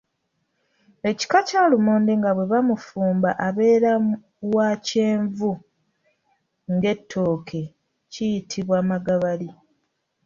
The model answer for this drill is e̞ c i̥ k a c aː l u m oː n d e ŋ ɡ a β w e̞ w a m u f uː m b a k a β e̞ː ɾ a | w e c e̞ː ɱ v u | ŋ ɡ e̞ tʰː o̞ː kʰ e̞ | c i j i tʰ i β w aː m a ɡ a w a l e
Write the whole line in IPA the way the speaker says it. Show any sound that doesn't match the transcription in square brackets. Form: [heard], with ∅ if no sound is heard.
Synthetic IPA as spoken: e̞ c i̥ k a c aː l u m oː n d e ŋ ɡ a β w e̞ [β] a m u f uː m b a [ʔ] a β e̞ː ɾ a | w [a] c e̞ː ɱ v u | ŋ ɡ e̞ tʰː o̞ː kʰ e̞ | c i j i tʰ i β w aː m a ɡ a [β] a l [i]